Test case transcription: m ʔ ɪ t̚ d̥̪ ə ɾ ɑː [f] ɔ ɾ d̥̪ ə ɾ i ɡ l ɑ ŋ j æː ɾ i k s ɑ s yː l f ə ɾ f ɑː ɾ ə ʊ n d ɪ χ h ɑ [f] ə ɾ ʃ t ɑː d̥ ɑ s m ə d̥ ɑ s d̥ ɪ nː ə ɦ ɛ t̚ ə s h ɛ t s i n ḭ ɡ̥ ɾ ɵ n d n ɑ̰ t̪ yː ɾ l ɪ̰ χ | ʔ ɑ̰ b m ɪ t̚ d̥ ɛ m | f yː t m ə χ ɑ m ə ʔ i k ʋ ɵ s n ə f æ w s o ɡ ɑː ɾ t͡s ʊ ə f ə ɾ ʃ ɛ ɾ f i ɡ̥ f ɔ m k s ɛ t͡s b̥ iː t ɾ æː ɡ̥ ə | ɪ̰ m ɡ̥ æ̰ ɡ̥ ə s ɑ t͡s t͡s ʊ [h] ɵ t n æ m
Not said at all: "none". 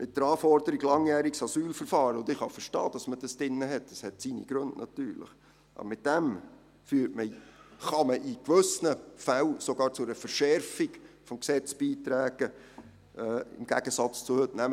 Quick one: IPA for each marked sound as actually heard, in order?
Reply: f, f, h

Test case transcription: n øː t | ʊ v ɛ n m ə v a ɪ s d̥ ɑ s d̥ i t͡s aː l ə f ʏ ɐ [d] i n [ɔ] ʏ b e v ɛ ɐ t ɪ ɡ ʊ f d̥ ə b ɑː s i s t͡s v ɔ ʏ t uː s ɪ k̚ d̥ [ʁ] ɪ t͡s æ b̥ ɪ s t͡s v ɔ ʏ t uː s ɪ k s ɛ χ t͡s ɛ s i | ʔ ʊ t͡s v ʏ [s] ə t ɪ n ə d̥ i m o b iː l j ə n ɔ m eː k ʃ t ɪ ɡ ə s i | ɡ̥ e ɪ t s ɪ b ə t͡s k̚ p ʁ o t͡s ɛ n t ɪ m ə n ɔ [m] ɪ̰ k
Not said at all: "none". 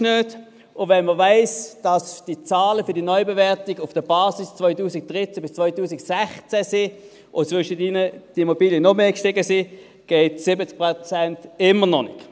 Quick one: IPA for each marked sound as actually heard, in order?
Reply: d, ɔ, ʁ, ʃ, n

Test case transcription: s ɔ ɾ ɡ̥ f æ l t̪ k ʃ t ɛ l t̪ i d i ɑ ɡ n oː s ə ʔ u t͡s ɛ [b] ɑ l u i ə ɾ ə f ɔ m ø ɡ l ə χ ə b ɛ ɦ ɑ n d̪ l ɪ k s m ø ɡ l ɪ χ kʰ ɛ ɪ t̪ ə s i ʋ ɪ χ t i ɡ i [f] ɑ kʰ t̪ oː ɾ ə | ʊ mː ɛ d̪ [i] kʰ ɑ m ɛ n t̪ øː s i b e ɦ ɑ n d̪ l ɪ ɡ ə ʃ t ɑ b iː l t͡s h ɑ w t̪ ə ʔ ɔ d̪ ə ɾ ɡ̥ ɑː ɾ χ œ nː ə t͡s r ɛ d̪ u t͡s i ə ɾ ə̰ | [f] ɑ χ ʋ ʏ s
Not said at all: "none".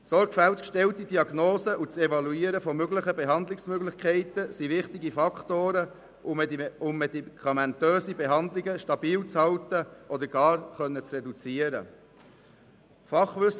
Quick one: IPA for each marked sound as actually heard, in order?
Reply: v, f, i, f

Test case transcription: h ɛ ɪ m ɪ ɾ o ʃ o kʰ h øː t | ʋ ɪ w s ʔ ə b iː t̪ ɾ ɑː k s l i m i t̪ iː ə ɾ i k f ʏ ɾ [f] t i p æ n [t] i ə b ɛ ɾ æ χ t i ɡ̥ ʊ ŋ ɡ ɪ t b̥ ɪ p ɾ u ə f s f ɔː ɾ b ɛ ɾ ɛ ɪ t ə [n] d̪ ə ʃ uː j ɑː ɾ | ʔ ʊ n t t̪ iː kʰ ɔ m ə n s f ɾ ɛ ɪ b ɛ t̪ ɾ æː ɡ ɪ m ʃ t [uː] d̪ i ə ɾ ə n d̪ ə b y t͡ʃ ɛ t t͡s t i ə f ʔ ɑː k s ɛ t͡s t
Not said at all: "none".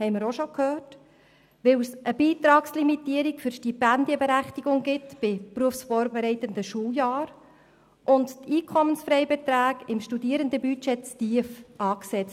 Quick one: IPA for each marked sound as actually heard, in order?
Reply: ʃ, d, n, u

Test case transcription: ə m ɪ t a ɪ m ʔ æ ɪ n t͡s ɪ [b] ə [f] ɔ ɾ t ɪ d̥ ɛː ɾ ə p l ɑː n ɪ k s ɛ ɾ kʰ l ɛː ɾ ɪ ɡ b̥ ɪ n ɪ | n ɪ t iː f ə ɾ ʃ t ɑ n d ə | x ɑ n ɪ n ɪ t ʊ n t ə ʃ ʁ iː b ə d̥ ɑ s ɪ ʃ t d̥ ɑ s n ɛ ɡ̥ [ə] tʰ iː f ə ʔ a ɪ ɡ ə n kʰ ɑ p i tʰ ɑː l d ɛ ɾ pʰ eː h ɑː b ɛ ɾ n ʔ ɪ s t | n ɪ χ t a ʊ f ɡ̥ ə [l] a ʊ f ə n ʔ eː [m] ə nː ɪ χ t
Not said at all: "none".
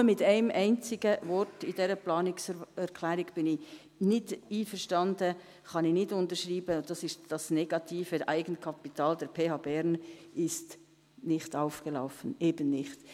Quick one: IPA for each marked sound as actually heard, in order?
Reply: ɡ, v, ɑ, l, b

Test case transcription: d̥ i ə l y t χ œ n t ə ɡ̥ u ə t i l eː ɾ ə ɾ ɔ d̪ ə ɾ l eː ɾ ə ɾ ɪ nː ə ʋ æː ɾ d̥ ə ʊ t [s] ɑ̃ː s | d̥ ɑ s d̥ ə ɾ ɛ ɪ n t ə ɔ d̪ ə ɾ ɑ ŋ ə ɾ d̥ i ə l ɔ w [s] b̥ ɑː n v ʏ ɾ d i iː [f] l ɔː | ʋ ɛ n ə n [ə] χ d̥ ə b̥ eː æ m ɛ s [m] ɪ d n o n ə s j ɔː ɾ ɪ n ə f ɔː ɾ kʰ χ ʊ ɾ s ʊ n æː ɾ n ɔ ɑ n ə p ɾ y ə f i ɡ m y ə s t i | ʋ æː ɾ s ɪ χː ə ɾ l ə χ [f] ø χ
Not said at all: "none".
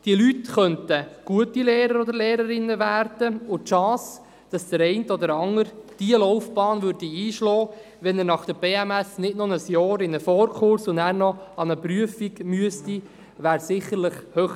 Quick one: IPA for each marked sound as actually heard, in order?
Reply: ʃ, f, ʃ, ɑ, n, h

